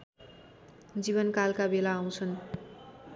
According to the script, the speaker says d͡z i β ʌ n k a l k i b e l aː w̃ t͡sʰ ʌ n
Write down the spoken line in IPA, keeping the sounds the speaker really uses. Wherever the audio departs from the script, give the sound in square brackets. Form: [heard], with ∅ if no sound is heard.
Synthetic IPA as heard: d͡z i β ʌ n k a l k [a] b e l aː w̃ t͡sʰ ʌ n